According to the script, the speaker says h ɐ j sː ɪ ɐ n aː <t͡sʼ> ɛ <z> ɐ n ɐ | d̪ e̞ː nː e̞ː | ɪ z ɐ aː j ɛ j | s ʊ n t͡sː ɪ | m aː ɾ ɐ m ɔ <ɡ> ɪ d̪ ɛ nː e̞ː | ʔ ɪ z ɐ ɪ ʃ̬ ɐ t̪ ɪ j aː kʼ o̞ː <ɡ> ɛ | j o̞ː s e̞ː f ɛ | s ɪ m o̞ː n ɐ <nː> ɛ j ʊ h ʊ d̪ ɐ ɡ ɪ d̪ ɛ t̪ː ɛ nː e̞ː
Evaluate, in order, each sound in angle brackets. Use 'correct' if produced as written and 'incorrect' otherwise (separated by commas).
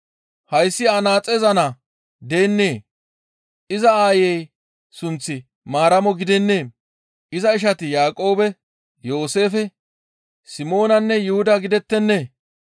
correct, correct, correct, incorrect, correct